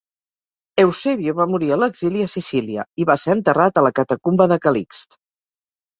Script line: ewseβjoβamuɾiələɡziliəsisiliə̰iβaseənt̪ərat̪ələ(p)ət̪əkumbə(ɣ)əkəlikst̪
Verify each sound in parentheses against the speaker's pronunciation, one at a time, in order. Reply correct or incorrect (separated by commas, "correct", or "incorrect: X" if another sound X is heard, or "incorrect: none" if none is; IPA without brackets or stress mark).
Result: incorrect: k, incorrect: ð